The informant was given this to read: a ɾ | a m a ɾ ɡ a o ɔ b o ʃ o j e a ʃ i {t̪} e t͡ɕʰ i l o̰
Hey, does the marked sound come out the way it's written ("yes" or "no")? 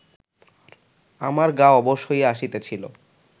yes